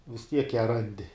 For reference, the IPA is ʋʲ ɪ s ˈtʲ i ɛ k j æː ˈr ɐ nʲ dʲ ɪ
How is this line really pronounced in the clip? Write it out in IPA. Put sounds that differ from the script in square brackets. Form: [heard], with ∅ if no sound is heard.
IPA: ʋʲ ɪ s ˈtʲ i ɛ k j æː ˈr ɐ nʲ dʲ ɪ